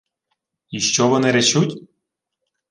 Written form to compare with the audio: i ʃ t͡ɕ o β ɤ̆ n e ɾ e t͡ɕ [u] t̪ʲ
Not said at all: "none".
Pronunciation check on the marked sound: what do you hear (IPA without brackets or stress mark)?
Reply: u